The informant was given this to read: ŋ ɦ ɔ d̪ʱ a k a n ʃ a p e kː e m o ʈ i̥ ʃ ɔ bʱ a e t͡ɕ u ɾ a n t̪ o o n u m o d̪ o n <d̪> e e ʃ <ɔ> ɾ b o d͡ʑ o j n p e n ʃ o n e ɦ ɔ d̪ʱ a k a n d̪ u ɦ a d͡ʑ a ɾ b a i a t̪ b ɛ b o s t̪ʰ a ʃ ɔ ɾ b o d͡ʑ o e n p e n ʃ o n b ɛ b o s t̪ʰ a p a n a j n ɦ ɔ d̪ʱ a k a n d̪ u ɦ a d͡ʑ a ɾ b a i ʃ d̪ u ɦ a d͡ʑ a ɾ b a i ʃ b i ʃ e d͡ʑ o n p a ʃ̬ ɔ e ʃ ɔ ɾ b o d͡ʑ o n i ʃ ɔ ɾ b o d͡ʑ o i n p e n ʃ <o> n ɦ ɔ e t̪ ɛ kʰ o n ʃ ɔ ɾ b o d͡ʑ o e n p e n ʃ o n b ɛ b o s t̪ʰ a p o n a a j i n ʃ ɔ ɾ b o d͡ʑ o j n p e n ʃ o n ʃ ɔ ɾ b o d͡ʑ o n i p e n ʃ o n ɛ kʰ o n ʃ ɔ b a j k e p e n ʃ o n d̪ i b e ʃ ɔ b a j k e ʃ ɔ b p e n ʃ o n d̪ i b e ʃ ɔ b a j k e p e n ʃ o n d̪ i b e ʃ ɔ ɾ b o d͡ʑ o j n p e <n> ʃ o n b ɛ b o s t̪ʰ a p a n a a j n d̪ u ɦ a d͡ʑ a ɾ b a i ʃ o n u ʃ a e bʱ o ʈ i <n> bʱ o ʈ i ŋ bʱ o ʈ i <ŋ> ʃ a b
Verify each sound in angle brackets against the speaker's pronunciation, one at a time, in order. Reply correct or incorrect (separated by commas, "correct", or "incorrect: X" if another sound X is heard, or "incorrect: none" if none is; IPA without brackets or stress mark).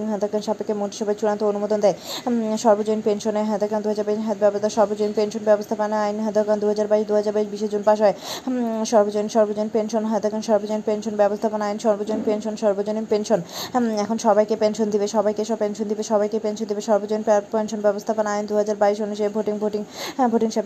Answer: correct, correct, correct, correct, incorrect: ŋ, correct